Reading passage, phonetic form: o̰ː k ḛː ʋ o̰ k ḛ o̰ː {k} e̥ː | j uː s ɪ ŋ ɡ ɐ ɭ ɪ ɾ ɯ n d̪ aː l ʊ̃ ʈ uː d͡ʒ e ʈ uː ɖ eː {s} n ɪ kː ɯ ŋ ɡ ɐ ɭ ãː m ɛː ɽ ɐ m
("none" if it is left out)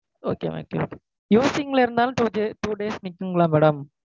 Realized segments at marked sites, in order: k, s

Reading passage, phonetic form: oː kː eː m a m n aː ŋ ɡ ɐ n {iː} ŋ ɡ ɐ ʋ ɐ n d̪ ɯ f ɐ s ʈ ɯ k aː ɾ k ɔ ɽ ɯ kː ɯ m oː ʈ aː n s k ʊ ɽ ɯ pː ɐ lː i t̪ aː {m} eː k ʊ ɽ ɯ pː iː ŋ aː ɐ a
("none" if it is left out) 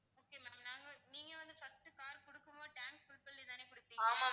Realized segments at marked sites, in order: iː, n

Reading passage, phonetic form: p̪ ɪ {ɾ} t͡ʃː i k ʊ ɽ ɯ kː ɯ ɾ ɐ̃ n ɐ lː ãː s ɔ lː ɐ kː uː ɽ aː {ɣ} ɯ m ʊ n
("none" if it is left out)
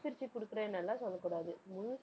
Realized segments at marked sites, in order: ɾ, ð

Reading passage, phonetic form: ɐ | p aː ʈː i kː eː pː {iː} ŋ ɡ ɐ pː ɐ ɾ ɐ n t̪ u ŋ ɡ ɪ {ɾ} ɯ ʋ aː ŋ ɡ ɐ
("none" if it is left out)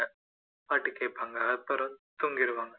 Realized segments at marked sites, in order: aː, ɾ

